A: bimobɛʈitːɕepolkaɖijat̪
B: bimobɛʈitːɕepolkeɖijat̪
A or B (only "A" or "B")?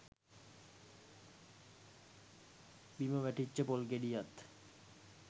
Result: B